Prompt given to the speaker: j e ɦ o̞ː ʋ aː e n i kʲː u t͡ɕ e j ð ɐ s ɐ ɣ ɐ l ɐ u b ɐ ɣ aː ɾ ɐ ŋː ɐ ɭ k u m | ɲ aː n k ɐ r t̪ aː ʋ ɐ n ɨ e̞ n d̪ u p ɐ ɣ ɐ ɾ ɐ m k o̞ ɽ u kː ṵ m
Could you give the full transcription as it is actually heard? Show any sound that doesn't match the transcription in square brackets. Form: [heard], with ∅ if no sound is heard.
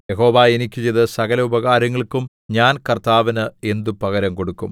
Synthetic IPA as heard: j e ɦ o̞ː ʋ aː e n i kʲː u t͡ɕ e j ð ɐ s ɐ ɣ ɐ l ɐ u b ɐ ɣ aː ɾ ɐ ŋː ɐ ɭ k u m | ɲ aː n k ɐ r t̪ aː ʋ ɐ n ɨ e̞ n d̪ u p ɐ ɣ ɐ ɾ ɐ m k o̞ ɽ u kː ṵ m